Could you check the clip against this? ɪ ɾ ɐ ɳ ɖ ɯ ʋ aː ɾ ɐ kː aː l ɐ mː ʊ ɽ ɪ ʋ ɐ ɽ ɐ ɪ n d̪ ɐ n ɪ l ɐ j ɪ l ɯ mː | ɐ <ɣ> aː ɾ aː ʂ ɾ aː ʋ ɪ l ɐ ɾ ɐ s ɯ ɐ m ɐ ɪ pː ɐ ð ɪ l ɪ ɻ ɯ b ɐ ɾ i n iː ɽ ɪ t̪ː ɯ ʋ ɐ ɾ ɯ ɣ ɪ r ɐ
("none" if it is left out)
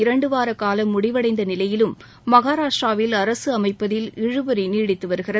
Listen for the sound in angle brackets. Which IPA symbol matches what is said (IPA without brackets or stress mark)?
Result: ɣ